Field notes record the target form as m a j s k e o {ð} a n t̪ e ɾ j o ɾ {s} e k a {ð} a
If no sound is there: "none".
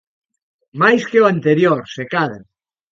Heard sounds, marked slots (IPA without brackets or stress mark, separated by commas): none, s, ð